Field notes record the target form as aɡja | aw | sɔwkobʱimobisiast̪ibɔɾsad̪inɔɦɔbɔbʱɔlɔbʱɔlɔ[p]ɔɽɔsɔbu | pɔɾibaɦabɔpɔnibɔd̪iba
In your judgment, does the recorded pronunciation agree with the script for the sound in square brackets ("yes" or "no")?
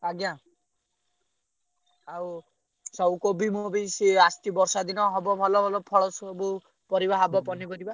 no